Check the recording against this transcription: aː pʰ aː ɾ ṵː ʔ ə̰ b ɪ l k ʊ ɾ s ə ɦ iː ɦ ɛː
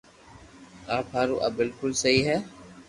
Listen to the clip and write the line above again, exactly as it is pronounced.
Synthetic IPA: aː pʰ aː ɾ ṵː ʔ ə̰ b ɪ l k ʊ l s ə ɦ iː ɦ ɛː